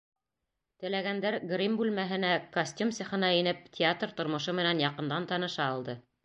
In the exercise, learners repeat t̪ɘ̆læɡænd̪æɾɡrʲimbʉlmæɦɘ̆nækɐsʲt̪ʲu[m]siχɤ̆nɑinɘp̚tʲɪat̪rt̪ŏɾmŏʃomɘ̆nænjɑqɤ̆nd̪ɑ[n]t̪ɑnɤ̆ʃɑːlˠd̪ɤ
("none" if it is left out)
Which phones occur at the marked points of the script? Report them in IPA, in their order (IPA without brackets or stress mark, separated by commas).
m, n